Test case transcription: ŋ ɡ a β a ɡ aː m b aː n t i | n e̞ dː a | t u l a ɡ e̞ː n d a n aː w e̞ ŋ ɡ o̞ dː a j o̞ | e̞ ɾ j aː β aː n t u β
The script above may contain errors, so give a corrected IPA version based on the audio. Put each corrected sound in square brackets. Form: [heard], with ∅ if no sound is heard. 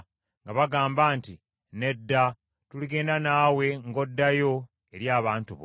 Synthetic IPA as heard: ŋ ɡ a β a ɡ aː m b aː n t i | n e̞ dː a | t u l [i] ɡ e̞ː n d a n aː w e̞ ŋ ɡ o̞ dː a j o̞ | e̞ ɾ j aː β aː n t u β